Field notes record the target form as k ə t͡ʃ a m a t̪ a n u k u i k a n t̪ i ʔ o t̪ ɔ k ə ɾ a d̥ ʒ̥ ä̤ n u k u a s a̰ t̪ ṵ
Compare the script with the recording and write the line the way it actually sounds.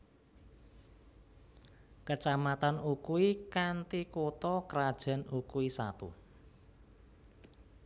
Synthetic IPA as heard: k ə t͡ʃ a m a t̪ a n u k u i k a n t̪ i k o t̪ ɔ k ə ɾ a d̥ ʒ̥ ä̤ n u k u i s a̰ t̪ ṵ

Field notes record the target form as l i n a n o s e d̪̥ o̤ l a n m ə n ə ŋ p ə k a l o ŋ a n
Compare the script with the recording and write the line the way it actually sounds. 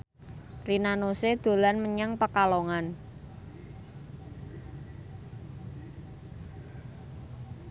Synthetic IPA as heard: r i n a n o s e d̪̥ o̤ l a n m ə ɲ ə ŋ p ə k a l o ŋ a n

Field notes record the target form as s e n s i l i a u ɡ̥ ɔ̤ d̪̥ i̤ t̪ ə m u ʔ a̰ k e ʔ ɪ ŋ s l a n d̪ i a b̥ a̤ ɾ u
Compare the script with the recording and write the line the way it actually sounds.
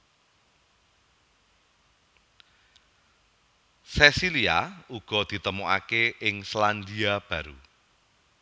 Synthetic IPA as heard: s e s i l i a u ɡ̥ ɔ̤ d̪̥ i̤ t̪ ə m u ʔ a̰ k e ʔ ɪ ŋ s l a n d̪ i a b̥ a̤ ɾ u

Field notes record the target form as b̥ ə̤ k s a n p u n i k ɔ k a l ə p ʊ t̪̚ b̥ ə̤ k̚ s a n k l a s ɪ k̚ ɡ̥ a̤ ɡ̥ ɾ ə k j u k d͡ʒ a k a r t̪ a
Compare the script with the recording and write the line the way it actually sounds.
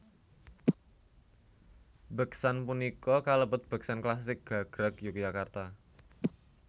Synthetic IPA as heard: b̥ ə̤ k s a n p u n i k ɔ k a l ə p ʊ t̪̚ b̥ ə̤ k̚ s a n k l a s ɪ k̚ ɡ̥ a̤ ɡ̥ ɾ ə k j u k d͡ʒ a k a r t̪ a

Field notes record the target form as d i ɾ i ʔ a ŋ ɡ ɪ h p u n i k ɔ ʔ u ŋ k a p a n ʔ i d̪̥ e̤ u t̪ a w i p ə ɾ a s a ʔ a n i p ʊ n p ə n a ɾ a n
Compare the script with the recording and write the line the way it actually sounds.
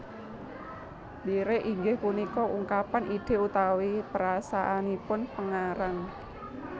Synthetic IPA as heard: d i ɾ e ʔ i ŋ ɡ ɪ h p u n i k ɔ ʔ u ŋ k a p a n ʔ i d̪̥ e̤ u t̪ a w i p ə ɾ a s a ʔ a n i p ʊ n p ə ŋ a ɾ a ŋ

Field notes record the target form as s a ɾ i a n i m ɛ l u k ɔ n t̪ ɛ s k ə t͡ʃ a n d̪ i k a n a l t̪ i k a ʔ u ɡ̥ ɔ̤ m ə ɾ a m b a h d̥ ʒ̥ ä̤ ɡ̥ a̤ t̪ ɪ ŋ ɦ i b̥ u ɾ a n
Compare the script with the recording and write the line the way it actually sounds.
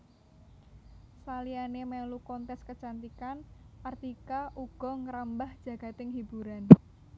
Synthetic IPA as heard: s a l i a n e m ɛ l u k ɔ n t̪ ɛ s k ə t͡ʃ a n t̪ i k a n a r t̪ i k a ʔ u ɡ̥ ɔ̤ ŋ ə ɾ a m b a h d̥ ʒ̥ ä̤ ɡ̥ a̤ t̪ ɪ ŋ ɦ i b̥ u ɾ a n

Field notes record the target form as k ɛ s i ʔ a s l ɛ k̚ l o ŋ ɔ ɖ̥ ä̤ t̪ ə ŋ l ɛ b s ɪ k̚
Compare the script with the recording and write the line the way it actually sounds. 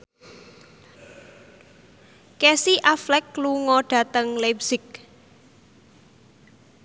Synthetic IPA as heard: k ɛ s i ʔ a f l ɛ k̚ l u ŋ ɔ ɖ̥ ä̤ t̪ ə ŋ l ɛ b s ɪ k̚

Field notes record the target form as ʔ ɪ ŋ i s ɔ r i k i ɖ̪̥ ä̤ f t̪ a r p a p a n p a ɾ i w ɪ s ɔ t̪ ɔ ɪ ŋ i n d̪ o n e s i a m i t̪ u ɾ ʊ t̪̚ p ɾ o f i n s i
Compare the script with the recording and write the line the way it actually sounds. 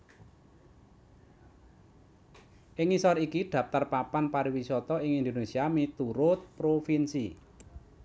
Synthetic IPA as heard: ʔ ɪ ŋ i s ɔ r i k i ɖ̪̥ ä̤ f t̪ a r p a p a n p a ɾ i w i s ɔ t̪ ɔ ɪ ŋ i n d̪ o n e s i a m i t̪ u ɾ ʊ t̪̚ p ɾ o f i n s i

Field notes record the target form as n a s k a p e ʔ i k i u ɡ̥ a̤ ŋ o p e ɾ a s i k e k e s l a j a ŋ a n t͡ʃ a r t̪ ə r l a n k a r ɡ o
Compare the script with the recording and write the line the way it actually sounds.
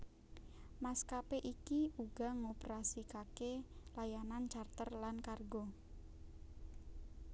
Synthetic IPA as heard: m a s k a p e ʔ i k i u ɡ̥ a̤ ŋ o p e ɾ a s i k a k e l a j a n a n t͡ʃ a r t̪ ə r l a n k a r ɡ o

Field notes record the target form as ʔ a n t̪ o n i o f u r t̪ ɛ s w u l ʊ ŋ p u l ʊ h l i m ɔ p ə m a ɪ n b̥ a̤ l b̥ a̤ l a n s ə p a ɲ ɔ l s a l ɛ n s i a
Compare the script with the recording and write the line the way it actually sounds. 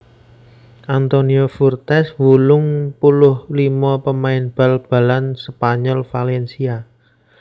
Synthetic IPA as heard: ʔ a n t̪ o n i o f u r t̪ ɛ s w u l ʊ ŋ p u l ʊ h l i m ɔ p ə m a ɪ n b̥ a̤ l b̥ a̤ l a n s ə p a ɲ ɔ l f a l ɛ n s i a

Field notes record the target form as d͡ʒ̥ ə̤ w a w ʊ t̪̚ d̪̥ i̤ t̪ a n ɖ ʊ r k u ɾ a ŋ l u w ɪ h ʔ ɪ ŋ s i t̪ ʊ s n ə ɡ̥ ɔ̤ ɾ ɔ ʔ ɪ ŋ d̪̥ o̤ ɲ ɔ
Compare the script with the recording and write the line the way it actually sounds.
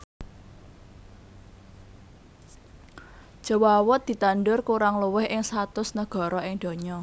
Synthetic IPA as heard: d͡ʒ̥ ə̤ w a w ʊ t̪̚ d̪̥ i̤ t̪ a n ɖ ʊ r k u ɾ a ŋ l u w ɪ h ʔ ɪ ŋ s a t̪ ʊ s n ə ɡ̥ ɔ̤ ɾ ɔ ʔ ɪ ŋ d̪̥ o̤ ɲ ɔ

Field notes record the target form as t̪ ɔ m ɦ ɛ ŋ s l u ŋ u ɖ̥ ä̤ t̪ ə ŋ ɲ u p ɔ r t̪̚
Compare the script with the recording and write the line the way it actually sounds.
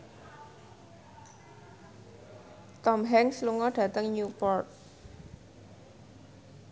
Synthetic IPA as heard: t̪ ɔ m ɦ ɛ ŋ s l u ŋ ɔ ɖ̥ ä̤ t̪ ə ŋ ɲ u p ɔ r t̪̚

